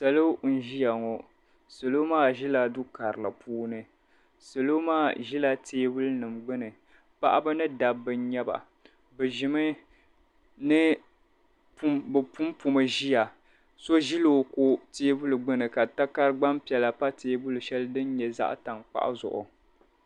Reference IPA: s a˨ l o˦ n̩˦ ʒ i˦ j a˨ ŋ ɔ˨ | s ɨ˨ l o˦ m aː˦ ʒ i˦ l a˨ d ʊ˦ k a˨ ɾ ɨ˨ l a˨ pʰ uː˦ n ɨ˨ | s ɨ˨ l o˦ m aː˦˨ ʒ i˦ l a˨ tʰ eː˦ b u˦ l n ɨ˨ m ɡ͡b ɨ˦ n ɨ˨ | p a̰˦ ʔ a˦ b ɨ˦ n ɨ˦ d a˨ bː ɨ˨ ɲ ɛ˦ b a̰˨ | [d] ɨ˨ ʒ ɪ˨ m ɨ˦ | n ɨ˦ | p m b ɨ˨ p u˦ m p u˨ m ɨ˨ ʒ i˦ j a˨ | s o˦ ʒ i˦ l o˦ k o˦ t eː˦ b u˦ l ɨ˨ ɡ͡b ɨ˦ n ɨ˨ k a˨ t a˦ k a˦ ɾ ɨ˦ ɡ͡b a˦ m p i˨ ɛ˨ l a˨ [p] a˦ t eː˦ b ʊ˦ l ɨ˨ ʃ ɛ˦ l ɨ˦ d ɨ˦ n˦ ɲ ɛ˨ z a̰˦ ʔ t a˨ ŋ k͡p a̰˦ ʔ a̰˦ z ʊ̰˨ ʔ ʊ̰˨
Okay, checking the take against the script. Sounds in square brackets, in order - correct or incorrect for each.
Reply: incorrect: b, correct

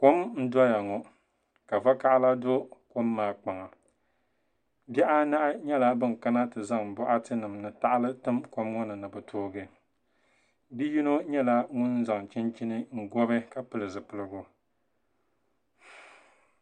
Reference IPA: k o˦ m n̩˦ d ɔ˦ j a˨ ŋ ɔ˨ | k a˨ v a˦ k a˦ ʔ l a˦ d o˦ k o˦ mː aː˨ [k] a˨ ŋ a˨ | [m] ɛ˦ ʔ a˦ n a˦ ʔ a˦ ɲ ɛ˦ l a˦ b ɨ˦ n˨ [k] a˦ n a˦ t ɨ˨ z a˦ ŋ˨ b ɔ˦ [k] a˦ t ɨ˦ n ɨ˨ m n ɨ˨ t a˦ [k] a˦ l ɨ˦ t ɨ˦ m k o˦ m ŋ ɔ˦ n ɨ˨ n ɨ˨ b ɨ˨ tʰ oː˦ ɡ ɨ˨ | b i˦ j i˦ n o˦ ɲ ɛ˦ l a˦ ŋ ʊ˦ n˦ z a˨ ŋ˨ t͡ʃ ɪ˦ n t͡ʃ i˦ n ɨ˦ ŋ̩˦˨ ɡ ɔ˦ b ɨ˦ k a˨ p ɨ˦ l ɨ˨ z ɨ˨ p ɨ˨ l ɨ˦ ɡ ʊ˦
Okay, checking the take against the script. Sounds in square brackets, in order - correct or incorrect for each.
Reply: incorrect: k͡p, incorrect: b, correct, incorrect: ʔ, incorrect: ʔ

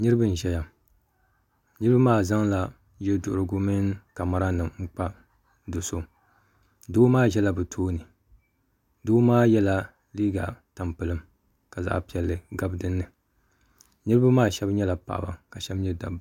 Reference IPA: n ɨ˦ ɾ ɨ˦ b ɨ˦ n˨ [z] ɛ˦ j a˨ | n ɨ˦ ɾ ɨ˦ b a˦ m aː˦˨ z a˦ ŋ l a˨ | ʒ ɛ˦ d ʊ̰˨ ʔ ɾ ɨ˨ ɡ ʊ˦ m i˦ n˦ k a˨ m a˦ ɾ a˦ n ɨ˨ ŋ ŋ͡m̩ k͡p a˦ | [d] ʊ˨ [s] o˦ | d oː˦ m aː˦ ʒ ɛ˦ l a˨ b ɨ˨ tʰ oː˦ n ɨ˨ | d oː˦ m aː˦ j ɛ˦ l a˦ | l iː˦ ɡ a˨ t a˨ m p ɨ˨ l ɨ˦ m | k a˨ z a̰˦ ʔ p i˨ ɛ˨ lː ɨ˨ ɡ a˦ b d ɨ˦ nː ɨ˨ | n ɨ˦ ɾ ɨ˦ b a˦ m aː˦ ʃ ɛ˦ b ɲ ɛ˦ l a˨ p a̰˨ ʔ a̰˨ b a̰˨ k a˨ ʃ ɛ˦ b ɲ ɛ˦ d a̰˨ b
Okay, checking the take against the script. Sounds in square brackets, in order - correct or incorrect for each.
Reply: incorrect: ʒ, correct, correct

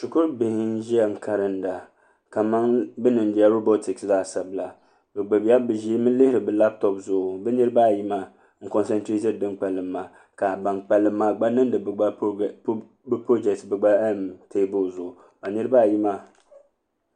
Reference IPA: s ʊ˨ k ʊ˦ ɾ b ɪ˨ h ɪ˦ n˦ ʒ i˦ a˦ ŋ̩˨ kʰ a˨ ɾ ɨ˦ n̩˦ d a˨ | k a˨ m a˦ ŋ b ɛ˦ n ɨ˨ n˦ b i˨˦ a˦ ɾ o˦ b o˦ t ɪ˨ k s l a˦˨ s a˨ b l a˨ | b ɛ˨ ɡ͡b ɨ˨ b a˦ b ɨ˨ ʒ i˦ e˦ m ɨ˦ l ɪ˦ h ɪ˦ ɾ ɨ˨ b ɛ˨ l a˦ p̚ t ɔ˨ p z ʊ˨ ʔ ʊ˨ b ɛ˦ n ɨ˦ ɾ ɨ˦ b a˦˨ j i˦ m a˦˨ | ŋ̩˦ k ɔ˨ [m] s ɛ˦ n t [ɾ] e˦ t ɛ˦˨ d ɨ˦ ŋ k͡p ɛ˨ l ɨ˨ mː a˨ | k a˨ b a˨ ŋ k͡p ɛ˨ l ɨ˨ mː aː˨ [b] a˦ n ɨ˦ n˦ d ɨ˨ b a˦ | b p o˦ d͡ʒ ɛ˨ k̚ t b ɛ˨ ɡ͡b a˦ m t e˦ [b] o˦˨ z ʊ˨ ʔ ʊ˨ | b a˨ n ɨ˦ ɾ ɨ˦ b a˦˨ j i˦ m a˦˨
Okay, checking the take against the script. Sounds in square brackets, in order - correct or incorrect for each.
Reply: incorrect: n, correct, incorrect: ɡ͡b, correct

